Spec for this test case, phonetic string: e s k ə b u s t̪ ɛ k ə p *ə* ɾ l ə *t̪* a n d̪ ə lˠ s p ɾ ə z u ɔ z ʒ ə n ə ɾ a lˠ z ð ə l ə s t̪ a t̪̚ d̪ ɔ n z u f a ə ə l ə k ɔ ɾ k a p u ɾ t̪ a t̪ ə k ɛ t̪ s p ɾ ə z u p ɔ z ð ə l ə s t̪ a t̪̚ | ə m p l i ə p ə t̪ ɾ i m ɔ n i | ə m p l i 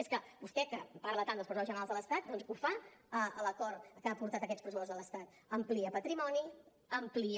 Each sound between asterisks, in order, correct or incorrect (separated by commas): incorrect, correct